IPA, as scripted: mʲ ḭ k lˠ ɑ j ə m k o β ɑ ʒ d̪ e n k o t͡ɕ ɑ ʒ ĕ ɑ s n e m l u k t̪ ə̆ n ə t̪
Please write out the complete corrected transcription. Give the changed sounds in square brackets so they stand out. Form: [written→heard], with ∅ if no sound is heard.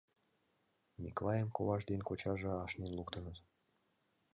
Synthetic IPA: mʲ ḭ k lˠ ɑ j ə m k o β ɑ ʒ d̪ e n k o t͡ɕ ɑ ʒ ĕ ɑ [s→ʃ] n e [m→n] l u k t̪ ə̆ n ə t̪